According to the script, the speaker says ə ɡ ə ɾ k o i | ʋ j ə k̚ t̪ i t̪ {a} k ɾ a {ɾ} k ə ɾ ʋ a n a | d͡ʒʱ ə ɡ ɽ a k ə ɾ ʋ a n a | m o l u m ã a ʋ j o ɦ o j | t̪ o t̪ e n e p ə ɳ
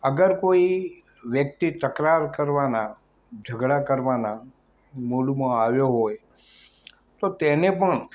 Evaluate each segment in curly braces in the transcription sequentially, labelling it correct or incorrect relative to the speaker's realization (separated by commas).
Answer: incorrect, correct